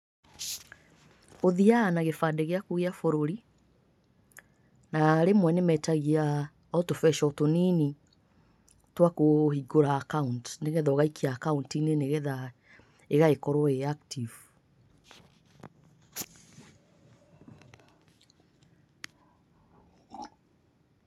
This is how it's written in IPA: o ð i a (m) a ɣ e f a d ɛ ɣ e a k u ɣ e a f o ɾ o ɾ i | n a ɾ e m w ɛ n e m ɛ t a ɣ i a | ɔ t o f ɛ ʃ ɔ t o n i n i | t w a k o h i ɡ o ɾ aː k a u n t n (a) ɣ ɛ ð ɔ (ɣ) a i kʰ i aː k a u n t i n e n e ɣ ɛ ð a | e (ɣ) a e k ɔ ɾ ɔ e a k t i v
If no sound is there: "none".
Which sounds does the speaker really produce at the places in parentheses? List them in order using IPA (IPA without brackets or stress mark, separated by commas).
n, e, ɣ, ɣ